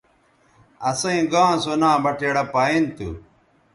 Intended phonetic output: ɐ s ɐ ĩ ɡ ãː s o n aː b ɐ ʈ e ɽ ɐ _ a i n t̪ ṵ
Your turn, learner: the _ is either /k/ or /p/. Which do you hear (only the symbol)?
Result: p